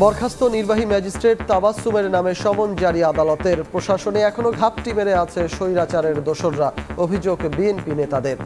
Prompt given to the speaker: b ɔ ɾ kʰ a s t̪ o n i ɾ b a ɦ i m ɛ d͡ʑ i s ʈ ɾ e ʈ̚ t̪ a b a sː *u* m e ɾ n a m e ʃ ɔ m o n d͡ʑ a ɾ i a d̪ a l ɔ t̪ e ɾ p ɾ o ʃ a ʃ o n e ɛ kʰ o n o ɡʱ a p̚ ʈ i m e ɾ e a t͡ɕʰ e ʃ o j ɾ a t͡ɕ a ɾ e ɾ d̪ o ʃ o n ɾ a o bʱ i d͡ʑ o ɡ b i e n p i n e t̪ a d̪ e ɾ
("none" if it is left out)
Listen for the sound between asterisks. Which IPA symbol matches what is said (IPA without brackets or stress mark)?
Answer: u